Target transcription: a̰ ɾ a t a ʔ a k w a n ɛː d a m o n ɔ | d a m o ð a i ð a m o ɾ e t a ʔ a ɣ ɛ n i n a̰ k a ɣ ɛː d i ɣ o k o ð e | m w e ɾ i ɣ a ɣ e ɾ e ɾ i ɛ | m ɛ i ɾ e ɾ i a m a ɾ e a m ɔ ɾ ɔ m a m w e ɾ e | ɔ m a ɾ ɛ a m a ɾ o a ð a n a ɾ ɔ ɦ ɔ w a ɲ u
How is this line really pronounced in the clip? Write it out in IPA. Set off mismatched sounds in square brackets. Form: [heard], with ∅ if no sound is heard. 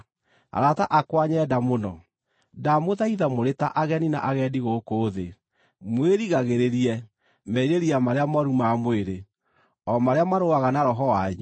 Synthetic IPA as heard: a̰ ɾ a t a ʔ a k w a [ɲ] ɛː d a m o n ɔ | d a m o ð a i ð a m o ɾ e t a ʔ a ɣ ɛ n i n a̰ [ʔ] a ɣ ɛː d i ɣ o k o ð e | m w e ɾ i ɣ a ɣ e ɾ e ɾ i ɛ | m ɛ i ɾ e ɾ i a m a ɾ e a m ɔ ɾ [u] m a m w e ɾ e | ɔ m a ɾ [e] a m a ɾ o a [ɣ] a n a ɾ ɔ ɦ ɔ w a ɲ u